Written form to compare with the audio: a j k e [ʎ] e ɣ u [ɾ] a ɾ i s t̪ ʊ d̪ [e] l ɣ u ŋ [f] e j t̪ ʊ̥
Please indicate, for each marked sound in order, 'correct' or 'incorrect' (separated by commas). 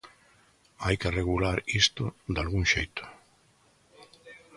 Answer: incorrect, incorrect, incorrect, incorrect